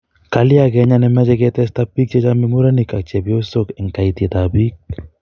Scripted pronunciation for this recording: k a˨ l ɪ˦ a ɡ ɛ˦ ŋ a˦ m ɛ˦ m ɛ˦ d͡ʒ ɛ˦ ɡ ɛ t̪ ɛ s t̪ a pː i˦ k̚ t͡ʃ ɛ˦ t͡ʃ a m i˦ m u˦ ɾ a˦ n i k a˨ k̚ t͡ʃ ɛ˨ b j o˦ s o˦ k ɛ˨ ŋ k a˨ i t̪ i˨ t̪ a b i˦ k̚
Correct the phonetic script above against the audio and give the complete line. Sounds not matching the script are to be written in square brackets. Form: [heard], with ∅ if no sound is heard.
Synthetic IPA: k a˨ l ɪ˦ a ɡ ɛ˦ [ɲ] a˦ [n] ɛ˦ m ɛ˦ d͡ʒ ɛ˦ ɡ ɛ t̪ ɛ s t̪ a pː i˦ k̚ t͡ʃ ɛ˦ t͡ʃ a m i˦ m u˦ ɾ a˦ n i k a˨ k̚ t͡ʃ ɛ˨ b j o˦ s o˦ k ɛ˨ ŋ k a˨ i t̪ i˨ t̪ a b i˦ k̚